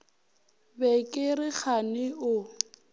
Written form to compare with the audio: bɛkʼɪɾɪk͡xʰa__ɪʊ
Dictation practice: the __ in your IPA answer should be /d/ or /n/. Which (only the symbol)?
n